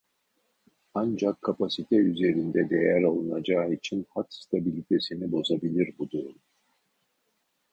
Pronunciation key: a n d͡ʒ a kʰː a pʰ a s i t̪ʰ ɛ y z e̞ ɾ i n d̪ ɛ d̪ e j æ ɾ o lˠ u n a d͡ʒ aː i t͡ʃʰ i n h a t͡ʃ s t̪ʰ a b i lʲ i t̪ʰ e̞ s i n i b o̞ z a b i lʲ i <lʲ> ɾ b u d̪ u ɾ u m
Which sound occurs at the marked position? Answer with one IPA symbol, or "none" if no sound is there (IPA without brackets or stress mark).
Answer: none